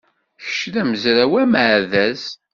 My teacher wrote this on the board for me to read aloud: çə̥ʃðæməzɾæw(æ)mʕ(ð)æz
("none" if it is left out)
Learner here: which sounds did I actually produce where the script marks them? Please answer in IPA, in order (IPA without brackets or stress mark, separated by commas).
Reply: æ, ð